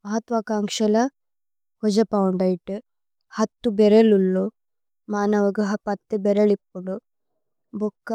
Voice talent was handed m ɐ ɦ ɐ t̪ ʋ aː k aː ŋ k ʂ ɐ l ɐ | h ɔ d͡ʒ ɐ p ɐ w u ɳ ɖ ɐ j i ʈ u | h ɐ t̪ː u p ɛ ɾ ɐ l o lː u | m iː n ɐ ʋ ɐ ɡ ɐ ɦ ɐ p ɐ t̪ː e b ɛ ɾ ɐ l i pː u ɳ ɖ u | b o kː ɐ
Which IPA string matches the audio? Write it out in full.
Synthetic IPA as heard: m ɐ ɦ ɐ t̪ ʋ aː k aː ŋ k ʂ ɐ l ɐ | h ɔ d͡ʒ ɐ p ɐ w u ɳ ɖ ɐ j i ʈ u | h ɐ t̪ː u b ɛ ɾ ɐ l u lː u | m aː n ɐ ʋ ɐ ɡ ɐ ɦ ɐ p ɐ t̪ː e b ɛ ɾ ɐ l i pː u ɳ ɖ u | b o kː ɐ